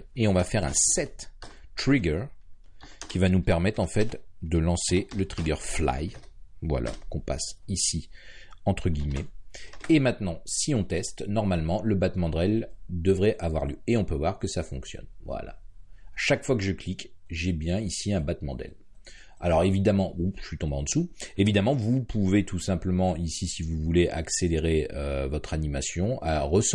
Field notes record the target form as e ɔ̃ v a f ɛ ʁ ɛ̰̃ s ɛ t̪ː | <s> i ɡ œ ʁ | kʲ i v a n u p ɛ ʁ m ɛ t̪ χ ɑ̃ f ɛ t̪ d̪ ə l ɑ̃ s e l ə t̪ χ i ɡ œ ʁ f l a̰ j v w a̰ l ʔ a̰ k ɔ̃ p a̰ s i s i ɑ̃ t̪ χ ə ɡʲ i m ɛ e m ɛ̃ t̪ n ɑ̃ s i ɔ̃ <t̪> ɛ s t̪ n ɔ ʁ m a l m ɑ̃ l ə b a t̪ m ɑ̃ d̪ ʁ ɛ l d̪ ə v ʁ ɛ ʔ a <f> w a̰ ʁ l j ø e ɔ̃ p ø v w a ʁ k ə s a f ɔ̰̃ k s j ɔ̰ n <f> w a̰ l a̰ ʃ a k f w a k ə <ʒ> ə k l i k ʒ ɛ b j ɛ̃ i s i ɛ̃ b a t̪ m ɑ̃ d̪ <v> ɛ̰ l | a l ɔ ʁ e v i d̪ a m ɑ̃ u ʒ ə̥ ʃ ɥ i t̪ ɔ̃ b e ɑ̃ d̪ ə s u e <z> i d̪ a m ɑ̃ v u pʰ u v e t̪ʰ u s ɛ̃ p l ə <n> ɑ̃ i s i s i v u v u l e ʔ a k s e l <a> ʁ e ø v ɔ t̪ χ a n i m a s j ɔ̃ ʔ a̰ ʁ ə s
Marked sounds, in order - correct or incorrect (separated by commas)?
incorrect, correct, incorrect, incorrect, correct, incorrect, incorrect, incorrect, incorrect